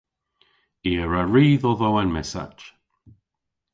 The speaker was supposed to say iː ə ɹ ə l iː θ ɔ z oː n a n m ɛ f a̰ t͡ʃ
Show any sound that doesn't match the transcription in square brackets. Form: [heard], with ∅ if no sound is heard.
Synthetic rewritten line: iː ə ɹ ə [ɹ] iː [ð] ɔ [ð] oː [∅] a n m ɛ [s] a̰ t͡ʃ